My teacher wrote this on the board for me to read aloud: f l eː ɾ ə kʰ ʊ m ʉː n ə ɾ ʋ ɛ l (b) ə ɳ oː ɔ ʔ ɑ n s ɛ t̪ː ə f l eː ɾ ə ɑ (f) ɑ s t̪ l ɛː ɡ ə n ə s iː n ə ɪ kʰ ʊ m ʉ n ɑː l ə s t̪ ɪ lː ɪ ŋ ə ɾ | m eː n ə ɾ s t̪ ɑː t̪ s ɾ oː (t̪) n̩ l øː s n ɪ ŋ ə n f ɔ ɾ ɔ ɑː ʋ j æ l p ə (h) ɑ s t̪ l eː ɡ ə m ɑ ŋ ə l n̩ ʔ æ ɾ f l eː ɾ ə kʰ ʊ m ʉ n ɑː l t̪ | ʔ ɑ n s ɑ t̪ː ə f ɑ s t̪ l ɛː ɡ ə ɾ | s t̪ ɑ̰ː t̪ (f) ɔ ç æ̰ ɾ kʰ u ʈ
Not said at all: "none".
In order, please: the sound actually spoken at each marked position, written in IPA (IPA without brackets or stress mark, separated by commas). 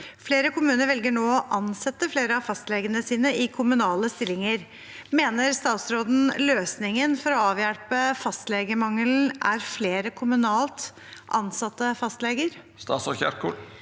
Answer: ɡ, f, d̪, f, s